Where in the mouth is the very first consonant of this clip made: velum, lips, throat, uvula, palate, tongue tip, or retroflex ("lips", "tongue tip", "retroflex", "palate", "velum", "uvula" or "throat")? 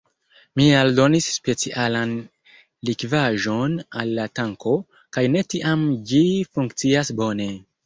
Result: lips